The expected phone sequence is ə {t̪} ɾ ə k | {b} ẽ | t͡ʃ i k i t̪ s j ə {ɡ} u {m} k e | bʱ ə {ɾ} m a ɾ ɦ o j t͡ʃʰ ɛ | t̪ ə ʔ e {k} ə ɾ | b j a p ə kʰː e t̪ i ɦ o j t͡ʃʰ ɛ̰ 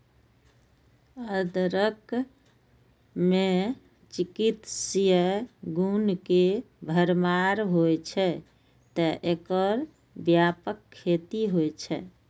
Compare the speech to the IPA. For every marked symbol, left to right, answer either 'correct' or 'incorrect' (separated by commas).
incorrect, incorrect, correct, incorrect, correct, correct